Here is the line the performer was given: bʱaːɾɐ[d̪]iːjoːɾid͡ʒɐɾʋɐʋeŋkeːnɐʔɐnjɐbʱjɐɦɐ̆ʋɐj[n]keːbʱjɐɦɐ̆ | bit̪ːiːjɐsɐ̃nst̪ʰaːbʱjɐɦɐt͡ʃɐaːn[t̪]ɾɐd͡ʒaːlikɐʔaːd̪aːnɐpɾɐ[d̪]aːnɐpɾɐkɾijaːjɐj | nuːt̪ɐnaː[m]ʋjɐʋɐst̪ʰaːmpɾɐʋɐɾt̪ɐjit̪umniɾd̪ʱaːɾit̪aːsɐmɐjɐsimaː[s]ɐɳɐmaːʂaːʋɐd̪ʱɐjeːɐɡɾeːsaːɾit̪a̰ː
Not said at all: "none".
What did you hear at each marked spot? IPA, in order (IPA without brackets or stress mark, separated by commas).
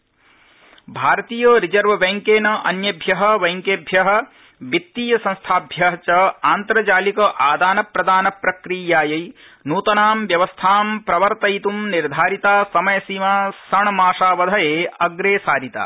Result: t̪, ŋ, t̪, d̪, m, s